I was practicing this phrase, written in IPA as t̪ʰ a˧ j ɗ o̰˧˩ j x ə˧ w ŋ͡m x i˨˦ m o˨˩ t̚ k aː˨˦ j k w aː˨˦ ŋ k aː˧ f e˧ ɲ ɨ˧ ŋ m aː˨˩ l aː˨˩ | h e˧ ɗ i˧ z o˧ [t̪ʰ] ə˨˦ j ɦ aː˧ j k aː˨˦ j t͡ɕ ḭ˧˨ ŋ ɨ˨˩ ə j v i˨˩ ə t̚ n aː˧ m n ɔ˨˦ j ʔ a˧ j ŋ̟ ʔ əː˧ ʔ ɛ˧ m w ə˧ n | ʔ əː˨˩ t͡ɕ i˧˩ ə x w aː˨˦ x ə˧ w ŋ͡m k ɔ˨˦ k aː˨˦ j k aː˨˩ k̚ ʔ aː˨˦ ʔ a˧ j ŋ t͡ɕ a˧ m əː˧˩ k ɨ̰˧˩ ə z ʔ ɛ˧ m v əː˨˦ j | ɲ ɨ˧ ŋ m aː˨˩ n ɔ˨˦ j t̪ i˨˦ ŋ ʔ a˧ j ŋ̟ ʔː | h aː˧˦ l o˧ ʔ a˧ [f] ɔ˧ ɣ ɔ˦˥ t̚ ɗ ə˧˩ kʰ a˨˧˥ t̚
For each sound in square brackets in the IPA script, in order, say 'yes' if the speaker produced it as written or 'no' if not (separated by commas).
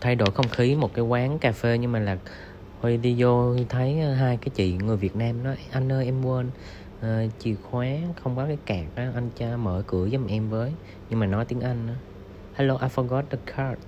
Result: yes, yes